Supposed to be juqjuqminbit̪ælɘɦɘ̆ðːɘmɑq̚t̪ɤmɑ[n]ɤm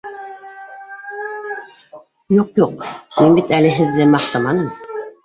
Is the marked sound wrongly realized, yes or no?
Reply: no